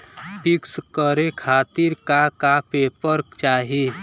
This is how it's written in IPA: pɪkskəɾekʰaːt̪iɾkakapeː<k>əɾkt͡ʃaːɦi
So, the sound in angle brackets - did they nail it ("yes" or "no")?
no